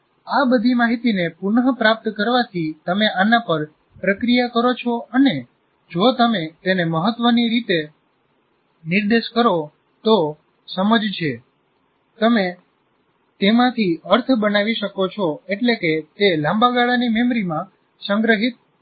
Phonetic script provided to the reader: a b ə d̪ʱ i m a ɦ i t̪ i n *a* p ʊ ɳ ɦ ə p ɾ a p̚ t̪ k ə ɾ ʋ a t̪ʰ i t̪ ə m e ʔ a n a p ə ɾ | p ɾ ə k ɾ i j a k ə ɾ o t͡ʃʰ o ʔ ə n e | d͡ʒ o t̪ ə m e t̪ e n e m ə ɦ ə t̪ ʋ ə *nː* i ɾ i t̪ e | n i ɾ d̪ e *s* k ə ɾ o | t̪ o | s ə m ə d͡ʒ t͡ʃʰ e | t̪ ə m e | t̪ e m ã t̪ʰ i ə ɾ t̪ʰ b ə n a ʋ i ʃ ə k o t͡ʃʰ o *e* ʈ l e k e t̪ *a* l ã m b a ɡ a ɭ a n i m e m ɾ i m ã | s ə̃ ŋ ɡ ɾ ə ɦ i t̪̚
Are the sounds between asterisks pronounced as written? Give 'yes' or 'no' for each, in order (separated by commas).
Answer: no, no, no, yes, no